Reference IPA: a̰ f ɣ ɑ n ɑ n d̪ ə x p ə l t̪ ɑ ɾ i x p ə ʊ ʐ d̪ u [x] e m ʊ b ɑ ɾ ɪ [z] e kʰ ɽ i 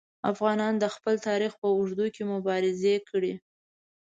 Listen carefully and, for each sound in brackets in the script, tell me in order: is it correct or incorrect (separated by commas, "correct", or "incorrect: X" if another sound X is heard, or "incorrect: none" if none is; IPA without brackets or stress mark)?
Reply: incorrect: k, correct